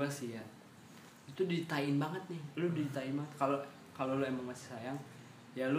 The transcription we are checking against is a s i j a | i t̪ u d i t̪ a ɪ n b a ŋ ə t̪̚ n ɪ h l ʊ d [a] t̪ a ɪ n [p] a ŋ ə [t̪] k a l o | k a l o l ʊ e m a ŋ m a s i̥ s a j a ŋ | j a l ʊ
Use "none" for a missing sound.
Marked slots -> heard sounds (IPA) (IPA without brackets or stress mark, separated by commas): i, b, t̪